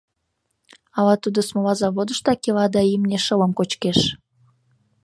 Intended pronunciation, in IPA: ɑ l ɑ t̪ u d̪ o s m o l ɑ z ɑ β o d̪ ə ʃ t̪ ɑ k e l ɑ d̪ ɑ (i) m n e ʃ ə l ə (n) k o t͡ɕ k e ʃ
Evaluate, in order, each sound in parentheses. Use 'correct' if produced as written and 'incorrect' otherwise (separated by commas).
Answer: correct, incorrect